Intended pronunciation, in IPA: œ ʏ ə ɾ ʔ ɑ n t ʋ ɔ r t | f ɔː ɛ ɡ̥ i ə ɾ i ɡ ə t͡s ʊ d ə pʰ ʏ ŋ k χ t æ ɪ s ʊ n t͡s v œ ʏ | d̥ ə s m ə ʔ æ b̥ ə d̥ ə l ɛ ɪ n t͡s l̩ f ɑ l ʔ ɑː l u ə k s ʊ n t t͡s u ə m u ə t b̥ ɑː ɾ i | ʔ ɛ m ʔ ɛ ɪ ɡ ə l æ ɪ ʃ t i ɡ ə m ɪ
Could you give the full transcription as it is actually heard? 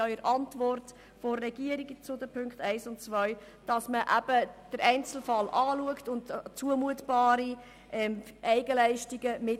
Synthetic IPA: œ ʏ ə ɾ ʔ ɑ n t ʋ ɔ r t | f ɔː ɛ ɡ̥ i ə ɾ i ɡ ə t͡s ʊ d ə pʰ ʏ ŋ k χ t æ ɪ s ʊ n t͡s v œ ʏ | d̥ ɑ s m ə ʔ æ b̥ ə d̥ ə ɾ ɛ ɪ n t͡s l̩ f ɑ l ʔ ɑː l u ə k t ʊ n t t͡s u ə m u ə t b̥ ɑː ɾ i | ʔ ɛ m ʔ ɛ ɪ ɡ ə l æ ɪ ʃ t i ɡ ə m ɪ